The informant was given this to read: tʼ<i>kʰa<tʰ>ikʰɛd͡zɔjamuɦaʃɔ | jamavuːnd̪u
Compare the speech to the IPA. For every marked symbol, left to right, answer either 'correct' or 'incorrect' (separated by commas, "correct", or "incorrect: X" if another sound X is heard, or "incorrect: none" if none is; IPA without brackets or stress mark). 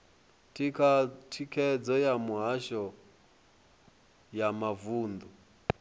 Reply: correct, correct